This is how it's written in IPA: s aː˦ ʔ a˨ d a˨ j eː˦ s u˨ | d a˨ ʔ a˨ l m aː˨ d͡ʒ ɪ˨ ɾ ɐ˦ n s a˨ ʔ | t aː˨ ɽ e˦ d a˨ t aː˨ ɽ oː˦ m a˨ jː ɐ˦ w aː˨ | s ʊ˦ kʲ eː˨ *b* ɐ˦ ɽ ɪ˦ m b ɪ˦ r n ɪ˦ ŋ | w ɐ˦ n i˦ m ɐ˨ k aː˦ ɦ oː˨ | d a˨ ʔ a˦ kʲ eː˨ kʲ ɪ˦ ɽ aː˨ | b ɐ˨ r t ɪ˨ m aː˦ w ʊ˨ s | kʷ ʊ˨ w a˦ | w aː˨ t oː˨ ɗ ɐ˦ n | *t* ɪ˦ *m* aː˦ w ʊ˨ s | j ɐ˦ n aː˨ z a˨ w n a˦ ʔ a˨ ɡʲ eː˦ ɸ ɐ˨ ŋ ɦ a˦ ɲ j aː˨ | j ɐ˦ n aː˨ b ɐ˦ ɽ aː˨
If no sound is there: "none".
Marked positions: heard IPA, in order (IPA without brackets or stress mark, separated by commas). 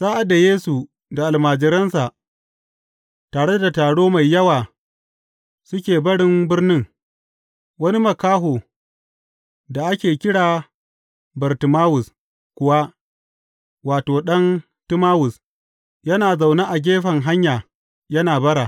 b, t, m